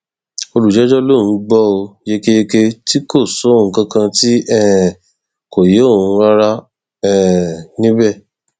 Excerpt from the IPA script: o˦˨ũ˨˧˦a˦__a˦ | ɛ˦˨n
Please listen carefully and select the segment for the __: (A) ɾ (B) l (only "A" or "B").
A